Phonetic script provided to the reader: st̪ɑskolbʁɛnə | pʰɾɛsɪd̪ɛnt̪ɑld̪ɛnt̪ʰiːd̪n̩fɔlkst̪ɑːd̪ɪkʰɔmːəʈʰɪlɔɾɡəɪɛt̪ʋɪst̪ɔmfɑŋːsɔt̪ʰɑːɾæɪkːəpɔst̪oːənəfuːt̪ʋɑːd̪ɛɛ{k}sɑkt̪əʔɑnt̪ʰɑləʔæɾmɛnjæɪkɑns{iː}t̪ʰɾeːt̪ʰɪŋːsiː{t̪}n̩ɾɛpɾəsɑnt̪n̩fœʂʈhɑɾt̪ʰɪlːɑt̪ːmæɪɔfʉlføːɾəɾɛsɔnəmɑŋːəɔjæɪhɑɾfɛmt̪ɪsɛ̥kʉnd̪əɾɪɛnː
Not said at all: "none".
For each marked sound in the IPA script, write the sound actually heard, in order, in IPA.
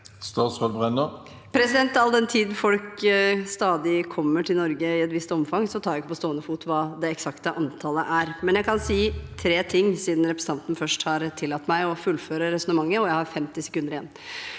k, iː, d̪

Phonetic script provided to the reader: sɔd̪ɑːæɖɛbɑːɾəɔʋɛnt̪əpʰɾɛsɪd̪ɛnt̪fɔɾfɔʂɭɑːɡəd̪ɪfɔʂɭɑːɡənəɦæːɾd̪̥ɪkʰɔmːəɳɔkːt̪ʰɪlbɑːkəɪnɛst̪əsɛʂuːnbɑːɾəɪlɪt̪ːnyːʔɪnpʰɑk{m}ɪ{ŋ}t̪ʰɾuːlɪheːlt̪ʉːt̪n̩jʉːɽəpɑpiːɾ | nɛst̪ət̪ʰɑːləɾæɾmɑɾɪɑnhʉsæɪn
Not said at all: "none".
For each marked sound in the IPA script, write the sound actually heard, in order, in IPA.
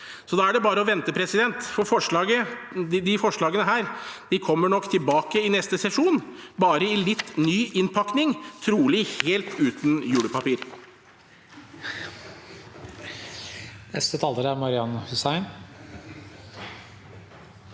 n, ŋ

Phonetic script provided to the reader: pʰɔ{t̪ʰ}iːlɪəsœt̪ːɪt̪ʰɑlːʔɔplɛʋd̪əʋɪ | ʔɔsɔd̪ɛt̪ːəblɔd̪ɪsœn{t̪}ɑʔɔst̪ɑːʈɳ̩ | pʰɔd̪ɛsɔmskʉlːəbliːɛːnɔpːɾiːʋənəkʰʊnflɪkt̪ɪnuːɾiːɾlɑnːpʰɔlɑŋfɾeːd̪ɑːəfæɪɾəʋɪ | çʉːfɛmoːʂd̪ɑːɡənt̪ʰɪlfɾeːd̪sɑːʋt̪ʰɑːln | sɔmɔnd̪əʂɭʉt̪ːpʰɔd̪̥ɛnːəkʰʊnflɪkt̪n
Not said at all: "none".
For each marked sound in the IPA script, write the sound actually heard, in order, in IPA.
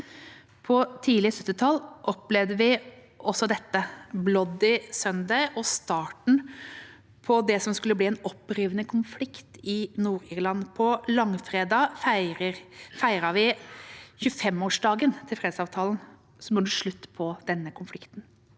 t̪ʰ, d̪

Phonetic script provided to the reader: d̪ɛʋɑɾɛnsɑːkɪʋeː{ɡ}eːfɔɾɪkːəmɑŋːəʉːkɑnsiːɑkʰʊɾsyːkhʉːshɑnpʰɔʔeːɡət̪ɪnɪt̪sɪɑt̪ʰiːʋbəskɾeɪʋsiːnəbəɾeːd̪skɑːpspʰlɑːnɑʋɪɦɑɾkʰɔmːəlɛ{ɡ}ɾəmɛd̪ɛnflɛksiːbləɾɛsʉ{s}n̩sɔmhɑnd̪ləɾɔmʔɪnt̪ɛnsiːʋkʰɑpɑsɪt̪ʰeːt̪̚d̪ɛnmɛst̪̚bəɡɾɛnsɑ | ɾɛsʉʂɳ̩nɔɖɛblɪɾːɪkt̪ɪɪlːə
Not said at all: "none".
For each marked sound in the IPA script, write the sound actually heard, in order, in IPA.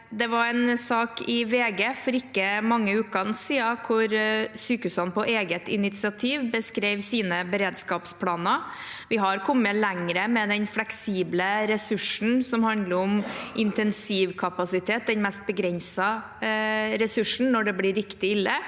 ɡ, ŋ, ʂ

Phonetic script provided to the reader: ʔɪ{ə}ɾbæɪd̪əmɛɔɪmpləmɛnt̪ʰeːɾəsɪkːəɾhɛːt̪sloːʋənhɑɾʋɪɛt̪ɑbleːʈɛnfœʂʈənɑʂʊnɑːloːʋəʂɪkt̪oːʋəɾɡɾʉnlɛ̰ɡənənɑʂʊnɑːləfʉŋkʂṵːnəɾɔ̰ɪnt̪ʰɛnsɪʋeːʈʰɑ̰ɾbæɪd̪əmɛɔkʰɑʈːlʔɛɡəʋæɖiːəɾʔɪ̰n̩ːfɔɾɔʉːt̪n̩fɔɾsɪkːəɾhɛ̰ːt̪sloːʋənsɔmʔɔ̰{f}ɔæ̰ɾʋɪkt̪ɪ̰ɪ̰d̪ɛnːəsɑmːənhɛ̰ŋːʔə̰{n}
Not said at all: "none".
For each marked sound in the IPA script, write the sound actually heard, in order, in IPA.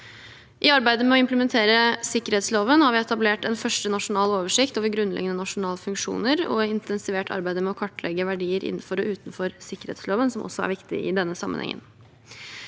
ɑ, s, n

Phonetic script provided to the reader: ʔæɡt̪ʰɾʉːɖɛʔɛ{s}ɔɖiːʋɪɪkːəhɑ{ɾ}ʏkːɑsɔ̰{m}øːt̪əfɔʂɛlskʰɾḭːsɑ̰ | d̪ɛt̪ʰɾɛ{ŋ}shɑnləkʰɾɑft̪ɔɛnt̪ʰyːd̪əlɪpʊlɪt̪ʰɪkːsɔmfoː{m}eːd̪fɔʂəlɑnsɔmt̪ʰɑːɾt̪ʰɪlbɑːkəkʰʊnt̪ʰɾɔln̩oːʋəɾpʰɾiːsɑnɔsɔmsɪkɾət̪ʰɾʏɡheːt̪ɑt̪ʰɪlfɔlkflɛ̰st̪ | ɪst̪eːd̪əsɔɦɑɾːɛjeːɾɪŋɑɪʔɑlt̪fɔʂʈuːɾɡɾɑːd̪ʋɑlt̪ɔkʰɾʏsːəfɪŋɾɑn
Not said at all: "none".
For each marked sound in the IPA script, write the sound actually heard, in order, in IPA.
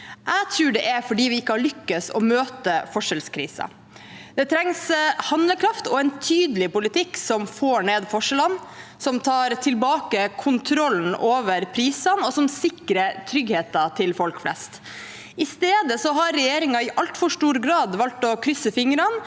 f, ɭ, m, ŋ, ɳ

